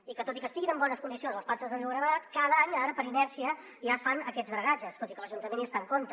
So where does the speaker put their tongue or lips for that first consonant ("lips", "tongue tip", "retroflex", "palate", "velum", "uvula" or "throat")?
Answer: velum